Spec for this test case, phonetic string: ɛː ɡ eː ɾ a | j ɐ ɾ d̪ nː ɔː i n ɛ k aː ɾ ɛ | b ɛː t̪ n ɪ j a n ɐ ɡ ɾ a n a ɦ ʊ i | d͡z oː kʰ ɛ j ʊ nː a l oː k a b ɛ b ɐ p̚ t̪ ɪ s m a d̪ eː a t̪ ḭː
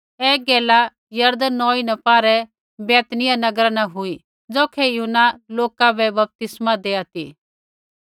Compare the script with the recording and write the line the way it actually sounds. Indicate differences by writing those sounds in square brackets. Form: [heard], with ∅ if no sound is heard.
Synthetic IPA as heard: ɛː ɡ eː [l] a | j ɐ ɾ d̪ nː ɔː i n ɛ [p] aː ɾ ɛ | b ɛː t̪ n ɪ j a n ɐ ɡ ɾ a n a ɦ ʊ i | d͡z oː kʰ ɛ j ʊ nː a l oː k a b ɛ b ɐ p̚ t̪ ɪ s m a d̪ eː a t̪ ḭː